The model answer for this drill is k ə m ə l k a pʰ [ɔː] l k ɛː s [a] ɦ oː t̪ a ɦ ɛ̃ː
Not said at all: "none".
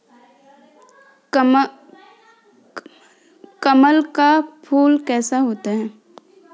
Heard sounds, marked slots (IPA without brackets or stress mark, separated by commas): uː, a